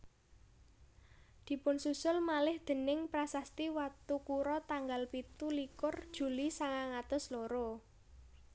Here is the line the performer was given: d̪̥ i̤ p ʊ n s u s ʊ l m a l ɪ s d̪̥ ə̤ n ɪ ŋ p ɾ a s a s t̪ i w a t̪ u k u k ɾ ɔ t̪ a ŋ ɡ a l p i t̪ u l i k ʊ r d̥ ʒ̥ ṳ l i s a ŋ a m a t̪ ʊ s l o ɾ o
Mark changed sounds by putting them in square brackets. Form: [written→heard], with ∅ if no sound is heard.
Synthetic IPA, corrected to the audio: d̪̥ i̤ p ʊ n s u s ʊ l m a l ɪ [s→h] d̪̥ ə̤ n ɪ ŋ p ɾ a s a s t̪ i w a t̪ u k u [k→∅] ɾ ɔ t̪ a ŋ ɡ a l p i t̪ u l i k ʊ r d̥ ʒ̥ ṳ l i s a ŋ a [m→ŋ] a t̪ ʊ s l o ɾ o